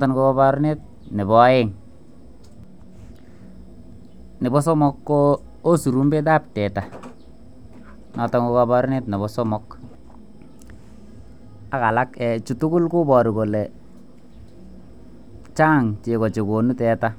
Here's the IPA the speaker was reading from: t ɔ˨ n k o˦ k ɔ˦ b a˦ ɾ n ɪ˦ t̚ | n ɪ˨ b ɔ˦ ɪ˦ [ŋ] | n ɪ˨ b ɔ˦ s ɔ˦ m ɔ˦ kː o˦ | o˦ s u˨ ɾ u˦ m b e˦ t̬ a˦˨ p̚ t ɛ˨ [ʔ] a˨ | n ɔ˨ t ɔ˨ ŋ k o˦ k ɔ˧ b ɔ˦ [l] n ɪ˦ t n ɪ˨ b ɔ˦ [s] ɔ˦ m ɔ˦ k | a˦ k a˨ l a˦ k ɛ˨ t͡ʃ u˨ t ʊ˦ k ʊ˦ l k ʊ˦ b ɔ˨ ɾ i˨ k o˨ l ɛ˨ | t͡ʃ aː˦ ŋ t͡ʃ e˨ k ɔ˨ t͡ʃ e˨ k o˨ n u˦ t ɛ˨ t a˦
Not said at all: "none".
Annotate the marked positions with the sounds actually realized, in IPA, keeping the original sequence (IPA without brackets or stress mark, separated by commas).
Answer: ŋ, t, ɾ, s